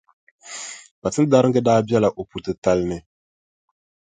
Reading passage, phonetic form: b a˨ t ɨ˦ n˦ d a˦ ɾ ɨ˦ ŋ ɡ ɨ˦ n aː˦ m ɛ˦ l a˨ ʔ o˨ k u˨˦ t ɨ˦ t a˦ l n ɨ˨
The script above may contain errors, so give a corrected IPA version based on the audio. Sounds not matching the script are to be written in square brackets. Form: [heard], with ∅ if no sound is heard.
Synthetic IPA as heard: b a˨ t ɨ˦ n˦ d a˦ ɾ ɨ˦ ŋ ɡ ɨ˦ [d] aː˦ [b] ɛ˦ l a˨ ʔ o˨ [p] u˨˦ t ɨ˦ t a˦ l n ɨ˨